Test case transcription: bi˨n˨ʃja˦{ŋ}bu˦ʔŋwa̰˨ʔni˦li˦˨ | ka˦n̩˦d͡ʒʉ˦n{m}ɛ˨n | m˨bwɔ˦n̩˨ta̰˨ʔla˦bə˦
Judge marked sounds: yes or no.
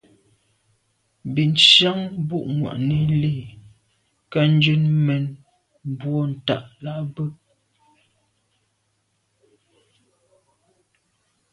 yes, yes

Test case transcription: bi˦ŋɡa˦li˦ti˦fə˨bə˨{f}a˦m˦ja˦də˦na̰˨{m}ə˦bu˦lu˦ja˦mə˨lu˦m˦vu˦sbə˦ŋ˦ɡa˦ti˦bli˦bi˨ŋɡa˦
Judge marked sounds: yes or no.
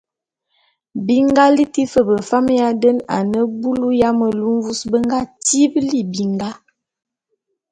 yes, no

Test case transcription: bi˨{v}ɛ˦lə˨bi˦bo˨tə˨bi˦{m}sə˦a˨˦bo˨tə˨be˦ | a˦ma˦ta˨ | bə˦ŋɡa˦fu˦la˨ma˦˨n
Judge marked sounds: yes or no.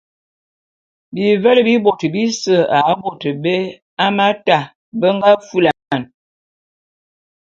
yes, no

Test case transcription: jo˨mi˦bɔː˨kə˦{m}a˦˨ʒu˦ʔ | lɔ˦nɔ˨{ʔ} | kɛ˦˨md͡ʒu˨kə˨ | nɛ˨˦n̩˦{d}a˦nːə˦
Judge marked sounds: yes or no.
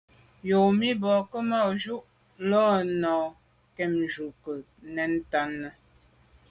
yes, no, no

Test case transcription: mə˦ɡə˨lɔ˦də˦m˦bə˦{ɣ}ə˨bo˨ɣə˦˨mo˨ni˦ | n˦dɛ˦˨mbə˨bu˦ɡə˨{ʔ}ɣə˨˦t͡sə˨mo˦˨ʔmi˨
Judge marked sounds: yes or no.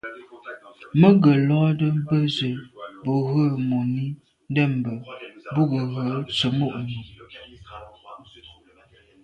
no, no

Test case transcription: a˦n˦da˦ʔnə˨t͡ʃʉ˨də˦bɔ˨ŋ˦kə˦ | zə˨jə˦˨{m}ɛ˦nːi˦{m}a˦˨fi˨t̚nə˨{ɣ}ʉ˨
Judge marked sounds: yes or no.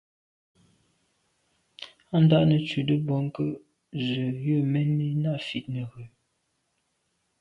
yes, no, yes

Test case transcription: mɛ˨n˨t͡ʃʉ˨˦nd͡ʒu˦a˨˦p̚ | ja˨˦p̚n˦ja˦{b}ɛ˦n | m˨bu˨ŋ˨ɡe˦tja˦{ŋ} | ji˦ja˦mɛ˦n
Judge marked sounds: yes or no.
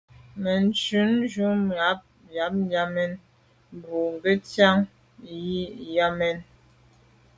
no, yes

